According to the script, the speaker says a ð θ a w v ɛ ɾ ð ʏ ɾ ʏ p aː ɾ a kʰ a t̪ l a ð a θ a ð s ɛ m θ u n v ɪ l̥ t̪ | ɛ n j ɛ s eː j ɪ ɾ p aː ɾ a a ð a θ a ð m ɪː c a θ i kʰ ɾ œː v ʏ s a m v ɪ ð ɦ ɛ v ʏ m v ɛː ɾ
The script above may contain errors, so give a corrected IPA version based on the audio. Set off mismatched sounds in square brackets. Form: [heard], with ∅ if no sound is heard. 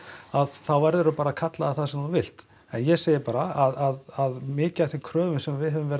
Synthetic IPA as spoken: a ð θ a w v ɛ ɾ ð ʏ ɾ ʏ p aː ɾ a kʰ a t̪ l a ð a θ a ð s ɛ m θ u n v ɪ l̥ t̪ | ɛ n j ɛ s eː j ɪ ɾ p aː ɾ a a ð a [ð] a ð m ɪː c a θ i kʰ ɾ œː v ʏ s [ɛ] m v ɪ ð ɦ ɛ v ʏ m v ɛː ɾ